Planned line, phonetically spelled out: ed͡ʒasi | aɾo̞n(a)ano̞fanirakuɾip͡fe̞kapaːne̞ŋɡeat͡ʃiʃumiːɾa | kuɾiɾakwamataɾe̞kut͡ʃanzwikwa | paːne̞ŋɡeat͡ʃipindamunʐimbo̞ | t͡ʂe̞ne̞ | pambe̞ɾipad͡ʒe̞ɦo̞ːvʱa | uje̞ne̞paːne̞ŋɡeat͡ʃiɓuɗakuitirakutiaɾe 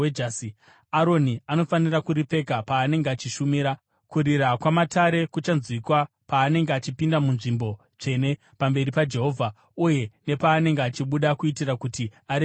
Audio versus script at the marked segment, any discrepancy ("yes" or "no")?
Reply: yes